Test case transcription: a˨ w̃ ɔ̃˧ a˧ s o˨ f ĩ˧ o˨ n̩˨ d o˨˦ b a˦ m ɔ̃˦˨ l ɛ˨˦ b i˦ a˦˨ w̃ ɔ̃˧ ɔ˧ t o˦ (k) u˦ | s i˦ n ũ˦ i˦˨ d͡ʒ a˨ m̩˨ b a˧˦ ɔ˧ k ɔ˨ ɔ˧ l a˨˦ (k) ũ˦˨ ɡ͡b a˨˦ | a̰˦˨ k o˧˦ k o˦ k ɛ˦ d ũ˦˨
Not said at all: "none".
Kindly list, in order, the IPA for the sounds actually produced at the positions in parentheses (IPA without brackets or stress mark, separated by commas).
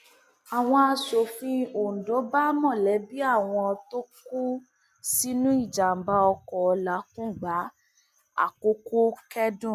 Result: k, k